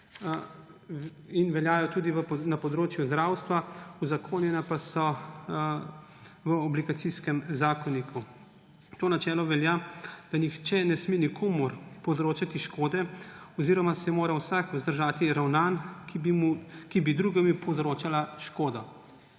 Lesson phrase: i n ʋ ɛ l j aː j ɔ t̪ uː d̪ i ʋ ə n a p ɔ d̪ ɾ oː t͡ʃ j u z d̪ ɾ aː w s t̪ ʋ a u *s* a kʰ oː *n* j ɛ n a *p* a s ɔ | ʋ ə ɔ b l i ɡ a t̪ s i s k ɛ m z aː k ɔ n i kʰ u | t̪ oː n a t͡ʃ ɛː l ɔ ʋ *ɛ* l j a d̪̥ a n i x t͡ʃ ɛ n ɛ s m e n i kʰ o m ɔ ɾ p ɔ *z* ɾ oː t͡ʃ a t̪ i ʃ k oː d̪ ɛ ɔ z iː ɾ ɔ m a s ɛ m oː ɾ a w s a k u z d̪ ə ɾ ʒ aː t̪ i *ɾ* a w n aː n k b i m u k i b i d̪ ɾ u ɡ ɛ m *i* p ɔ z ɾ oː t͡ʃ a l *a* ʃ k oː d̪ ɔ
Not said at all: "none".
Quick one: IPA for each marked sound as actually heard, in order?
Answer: z, n, p, ɛ, z, ɾ, i, a

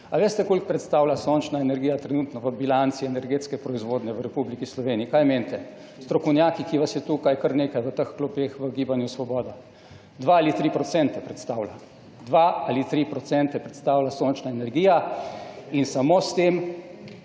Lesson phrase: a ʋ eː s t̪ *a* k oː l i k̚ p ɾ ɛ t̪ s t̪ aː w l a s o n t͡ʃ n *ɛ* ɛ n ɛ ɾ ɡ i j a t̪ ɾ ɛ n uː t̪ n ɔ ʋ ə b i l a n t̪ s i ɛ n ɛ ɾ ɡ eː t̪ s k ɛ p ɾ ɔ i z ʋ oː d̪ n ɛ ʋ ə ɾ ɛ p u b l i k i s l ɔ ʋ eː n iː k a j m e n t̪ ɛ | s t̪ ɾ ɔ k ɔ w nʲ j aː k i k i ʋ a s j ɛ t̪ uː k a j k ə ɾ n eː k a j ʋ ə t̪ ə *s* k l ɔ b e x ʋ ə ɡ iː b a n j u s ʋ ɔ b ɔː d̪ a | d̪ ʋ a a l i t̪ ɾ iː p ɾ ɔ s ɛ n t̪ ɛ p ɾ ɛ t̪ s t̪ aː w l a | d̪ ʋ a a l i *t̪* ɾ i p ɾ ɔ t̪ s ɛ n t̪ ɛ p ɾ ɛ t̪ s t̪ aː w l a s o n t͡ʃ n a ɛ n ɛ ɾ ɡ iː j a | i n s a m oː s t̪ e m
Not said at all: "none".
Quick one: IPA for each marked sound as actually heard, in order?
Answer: ɛ, a, x, t̪

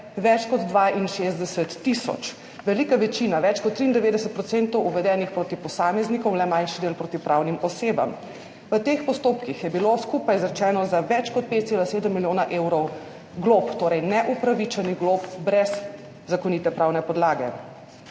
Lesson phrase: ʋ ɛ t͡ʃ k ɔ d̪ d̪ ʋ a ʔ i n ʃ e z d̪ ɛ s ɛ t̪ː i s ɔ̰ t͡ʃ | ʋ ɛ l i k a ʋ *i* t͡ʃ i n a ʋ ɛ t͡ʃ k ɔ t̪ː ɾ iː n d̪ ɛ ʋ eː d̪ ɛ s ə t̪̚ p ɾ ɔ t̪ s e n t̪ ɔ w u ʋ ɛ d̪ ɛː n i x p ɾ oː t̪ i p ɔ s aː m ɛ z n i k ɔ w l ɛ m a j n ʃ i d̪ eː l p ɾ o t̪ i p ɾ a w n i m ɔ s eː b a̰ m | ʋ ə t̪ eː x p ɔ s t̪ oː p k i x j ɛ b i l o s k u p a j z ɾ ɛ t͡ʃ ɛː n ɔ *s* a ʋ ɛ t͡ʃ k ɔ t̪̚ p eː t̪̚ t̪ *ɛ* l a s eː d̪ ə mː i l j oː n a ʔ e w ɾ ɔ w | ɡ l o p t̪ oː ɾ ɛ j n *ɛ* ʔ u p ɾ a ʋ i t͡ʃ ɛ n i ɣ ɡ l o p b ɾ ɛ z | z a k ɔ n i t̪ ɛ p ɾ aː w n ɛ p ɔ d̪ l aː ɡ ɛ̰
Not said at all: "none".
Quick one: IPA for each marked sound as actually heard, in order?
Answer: ɛ, z, e, ɛ

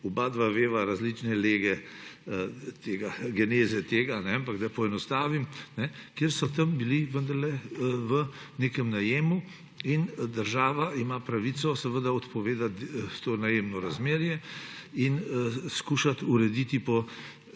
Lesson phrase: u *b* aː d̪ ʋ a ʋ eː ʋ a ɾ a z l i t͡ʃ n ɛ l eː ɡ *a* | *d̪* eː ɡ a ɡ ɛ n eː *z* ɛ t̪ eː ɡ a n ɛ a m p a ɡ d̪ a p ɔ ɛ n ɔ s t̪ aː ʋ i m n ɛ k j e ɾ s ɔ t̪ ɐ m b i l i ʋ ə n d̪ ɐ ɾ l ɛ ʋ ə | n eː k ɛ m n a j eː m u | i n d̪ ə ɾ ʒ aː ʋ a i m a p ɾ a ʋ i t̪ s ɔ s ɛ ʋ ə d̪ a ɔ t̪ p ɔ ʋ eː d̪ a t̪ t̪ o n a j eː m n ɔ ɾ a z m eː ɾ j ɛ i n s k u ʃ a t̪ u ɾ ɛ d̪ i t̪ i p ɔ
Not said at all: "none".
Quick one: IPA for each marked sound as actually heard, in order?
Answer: b, ɛ, t̪, z

